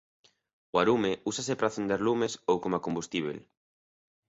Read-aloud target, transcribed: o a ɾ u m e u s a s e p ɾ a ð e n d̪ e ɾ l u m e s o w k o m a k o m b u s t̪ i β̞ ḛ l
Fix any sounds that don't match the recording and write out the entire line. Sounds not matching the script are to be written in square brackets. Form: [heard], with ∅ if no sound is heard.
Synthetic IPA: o a ɾ u m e u s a s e p ɾ a [θ] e n d̪ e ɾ l u m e s o w k o m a k o m b u s t̪ i β̞ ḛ l